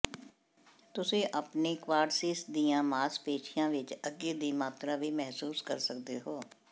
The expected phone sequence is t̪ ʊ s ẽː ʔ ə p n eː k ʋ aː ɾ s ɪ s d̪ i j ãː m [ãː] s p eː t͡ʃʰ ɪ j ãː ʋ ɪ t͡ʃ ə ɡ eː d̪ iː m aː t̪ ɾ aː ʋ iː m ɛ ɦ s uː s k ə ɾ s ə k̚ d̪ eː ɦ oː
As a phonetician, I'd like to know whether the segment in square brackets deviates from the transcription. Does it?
yes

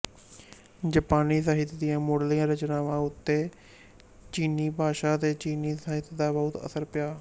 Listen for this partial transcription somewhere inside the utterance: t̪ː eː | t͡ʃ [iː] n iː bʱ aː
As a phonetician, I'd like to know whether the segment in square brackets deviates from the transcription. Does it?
no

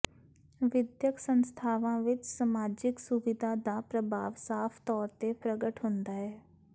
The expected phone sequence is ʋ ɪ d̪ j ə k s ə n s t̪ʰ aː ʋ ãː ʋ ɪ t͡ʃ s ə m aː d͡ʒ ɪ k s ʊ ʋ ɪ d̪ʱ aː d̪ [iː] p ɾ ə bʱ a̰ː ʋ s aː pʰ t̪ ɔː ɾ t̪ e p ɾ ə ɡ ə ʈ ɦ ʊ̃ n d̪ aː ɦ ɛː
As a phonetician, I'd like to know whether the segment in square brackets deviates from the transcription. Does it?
yes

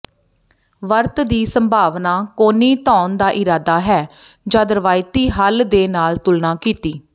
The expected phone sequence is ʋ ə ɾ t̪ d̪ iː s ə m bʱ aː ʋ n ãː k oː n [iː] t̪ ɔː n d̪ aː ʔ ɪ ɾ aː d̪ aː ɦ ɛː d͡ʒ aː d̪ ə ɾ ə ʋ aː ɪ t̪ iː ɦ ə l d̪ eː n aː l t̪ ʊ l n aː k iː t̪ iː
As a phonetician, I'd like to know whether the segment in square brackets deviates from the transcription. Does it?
no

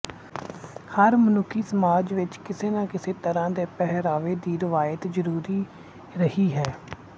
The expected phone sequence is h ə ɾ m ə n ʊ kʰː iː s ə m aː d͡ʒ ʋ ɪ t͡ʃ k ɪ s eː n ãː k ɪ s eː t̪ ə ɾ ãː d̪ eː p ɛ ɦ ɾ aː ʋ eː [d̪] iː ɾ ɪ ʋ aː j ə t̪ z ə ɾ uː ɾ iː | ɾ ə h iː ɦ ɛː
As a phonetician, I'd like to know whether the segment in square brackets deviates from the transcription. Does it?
no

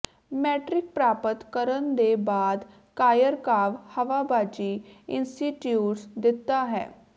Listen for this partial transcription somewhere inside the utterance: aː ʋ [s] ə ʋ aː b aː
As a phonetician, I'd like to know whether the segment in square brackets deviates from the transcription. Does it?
yes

